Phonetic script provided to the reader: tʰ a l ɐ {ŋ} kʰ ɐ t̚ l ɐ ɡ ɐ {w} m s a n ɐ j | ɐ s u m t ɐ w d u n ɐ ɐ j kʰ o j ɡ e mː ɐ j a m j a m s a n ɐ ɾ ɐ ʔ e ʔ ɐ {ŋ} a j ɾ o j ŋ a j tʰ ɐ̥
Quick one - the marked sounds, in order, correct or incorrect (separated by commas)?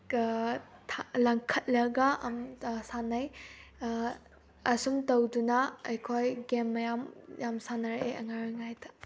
correct, incorrect, correct